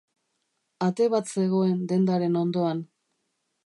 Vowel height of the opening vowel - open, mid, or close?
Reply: open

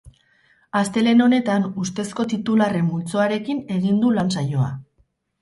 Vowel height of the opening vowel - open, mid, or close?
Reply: open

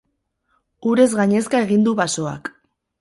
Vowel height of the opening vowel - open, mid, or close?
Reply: close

